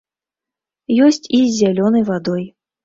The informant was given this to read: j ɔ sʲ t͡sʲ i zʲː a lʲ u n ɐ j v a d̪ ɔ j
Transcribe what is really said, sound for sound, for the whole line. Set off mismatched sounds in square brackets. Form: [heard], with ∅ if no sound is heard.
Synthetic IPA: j ɔ sʲ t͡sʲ i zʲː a lʲ [ɔ] n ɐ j v a d̪ ɔ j